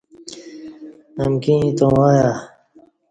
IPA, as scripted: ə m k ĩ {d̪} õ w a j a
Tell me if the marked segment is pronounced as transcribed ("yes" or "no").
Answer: no